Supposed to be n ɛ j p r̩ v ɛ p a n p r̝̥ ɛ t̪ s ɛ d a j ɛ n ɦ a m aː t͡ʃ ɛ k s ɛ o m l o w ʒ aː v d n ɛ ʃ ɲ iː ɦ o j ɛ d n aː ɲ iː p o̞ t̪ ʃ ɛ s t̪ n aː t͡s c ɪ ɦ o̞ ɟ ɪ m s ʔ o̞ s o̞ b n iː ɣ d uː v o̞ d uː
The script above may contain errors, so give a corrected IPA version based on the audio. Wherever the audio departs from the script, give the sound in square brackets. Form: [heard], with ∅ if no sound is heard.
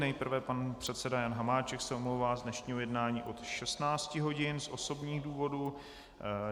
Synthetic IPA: n ɛ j p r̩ v ɛ p a n p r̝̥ ɛ t̪ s ɛ d a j [a] n ɦ a m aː t͡ʃ ɛ k s ɛ o m l o w [v] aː [z] d n ɛ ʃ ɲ iː ɦ o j ɛ d n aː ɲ iː [ʔ] o̞ t̪ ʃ ɛ s t̪ n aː t͡s c ɪ ɦ o̞ ɟ ɪ [n] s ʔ o̞ s o̞ b [ɲ] iː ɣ d uː v o̞ d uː